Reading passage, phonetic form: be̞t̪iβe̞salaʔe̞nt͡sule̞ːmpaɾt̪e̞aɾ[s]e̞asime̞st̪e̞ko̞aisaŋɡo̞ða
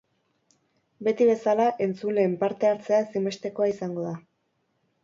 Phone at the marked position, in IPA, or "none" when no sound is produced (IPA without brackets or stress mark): t͡s